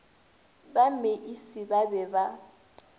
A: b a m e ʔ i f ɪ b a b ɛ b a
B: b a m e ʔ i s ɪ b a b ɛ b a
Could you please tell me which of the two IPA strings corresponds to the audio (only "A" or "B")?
B